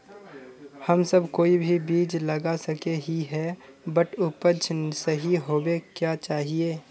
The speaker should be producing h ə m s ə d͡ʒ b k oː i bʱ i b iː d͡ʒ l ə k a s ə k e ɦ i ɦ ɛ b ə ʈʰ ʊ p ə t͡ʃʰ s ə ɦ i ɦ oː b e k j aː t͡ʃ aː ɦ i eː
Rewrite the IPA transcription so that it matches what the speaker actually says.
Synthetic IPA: h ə m s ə b k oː i bʱ i b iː d͡ʒ l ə ɡ a s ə k e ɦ i ɦ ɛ b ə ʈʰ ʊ p ə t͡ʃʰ s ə ɦ i ɦ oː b e k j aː t͡ʃ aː ɦ i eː